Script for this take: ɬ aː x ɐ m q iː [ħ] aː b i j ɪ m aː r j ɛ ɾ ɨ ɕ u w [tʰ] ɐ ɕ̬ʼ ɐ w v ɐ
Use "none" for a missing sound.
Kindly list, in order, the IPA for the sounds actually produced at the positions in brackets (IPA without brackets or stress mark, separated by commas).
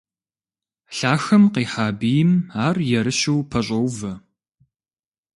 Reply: ħ, pʰ